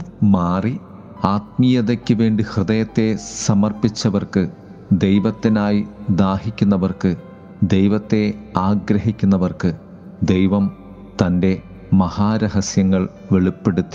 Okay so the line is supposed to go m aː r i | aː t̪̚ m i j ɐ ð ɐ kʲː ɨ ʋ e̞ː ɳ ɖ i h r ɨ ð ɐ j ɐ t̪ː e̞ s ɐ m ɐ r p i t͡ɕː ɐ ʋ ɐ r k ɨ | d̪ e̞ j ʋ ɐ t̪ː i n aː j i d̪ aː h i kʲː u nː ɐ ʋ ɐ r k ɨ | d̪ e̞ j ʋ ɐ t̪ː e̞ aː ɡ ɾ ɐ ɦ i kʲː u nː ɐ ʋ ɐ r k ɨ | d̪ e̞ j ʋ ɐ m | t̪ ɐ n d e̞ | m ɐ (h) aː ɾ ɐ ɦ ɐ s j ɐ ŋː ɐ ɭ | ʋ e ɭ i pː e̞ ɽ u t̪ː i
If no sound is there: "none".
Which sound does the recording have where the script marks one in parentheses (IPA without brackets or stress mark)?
h